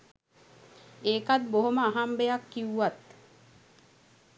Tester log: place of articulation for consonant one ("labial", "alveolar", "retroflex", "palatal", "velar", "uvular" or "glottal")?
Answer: velar